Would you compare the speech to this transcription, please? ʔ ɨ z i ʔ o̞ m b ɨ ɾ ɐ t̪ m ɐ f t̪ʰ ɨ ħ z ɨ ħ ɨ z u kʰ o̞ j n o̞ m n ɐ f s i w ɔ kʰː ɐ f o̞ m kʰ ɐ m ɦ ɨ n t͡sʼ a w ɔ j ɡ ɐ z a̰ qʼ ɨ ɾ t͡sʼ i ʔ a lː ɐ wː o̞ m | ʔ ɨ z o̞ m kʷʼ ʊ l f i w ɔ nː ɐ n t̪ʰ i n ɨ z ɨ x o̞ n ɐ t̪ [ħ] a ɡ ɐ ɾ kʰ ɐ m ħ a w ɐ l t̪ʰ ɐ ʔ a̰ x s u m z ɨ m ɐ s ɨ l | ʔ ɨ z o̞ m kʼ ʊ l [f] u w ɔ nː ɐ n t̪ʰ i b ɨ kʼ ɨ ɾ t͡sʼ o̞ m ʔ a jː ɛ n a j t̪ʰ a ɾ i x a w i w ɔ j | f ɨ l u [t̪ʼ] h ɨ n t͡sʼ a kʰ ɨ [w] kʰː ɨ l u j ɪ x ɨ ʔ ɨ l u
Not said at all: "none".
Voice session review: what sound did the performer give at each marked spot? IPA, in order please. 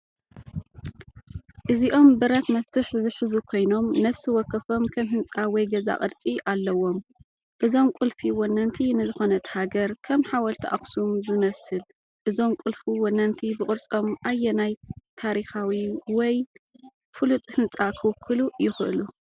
h, f, t̪ʼ, w

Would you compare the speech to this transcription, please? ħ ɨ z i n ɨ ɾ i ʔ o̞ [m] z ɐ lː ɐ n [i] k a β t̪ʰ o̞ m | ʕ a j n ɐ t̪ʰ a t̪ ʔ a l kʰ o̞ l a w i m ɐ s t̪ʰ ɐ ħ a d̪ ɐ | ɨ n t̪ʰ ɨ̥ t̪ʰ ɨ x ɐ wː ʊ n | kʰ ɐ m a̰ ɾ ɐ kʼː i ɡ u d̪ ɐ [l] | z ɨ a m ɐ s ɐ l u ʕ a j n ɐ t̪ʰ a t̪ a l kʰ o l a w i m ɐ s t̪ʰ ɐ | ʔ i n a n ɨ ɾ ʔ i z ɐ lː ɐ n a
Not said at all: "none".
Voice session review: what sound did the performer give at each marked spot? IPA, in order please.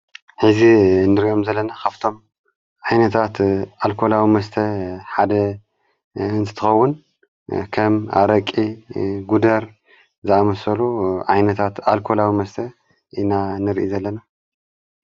m, a, ɾ

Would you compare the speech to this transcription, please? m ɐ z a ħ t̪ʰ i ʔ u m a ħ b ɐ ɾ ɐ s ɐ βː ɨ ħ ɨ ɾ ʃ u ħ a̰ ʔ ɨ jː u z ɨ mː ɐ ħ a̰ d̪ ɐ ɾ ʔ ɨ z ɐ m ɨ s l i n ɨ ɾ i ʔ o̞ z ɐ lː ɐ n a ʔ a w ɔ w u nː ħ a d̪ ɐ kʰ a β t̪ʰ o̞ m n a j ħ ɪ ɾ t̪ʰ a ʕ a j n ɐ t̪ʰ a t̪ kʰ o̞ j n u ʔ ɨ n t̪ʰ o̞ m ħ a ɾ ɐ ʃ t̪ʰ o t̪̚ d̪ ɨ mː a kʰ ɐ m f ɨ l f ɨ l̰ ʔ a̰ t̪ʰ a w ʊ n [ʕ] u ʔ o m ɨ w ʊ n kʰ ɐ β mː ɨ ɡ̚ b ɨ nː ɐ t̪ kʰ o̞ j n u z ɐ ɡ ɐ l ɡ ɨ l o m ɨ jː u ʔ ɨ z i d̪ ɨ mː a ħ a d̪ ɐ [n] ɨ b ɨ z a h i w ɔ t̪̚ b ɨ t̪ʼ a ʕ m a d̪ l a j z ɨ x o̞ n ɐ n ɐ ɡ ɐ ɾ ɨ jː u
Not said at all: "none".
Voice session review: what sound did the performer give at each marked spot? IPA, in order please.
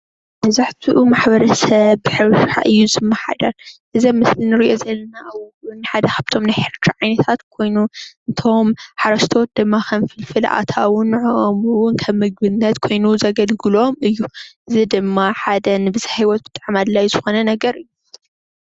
ʕ, n

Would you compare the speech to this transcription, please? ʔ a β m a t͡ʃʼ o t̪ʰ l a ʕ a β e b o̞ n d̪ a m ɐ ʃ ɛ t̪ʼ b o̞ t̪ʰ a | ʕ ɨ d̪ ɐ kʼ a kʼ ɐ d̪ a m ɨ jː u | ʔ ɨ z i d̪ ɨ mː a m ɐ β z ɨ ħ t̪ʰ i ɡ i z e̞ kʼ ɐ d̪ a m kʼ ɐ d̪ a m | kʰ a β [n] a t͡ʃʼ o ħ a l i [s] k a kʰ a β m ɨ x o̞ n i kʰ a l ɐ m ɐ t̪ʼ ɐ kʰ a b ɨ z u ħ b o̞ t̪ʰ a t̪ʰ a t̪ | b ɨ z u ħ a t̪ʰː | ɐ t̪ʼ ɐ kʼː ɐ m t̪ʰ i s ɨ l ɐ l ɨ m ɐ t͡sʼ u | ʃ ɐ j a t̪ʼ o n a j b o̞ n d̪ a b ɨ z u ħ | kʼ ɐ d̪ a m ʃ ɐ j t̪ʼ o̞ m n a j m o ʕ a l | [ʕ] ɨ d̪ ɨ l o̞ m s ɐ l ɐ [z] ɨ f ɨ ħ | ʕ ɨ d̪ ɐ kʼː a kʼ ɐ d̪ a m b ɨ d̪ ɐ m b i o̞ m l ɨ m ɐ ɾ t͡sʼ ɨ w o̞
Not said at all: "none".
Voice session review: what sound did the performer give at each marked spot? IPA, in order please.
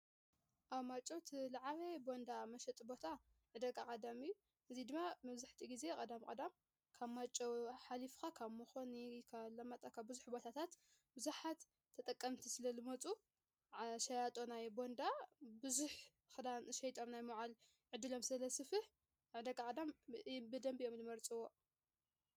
m, f, ʕ, s

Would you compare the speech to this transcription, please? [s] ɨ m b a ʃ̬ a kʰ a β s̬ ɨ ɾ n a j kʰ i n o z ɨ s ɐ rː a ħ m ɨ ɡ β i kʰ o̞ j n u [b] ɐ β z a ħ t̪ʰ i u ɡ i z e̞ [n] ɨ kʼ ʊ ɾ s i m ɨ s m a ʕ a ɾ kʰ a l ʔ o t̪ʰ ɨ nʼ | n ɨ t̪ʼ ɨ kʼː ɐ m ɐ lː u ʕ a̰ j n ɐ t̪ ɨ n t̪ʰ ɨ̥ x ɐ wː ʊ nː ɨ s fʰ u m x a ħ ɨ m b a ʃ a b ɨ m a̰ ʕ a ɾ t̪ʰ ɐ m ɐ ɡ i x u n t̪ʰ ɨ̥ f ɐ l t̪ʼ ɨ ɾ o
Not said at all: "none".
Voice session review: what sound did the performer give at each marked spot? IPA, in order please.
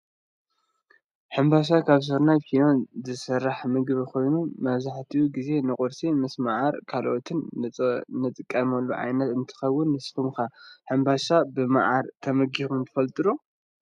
ħ, m, n

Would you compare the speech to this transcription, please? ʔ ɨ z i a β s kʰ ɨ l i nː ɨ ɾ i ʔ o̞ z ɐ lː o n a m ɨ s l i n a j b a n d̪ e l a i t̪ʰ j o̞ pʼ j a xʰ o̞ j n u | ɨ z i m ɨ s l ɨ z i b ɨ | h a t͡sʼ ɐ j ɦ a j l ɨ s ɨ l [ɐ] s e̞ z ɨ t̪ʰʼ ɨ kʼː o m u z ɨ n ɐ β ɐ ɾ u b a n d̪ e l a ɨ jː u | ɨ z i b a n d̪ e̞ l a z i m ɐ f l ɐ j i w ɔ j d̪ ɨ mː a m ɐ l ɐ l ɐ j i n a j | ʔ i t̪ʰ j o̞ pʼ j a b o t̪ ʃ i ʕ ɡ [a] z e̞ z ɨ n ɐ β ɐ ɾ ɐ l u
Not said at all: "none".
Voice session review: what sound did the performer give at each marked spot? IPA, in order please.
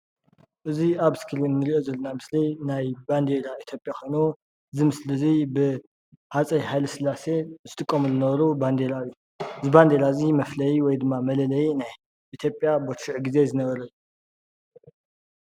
a, i

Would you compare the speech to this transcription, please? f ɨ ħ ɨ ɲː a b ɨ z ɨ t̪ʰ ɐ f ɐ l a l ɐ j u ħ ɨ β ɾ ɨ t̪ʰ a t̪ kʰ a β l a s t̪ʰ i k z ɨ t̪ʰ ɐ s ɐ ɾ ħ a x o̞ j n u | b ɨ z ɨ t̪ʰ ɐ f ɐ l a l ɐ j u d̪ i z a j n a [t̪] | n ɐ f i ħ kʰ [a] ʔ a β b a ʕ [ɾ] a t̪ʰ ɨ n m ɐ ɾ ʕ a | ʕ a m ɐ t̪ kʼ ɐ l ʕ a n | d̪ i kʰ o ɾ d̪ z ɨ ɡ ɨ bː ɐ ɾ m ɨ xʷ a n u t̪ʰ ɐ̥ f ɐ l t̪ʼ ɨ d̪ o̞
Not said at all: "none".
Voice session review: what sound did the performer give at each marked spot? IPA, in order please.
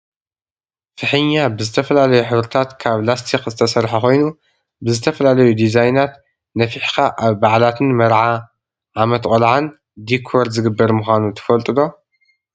t̪, a, l

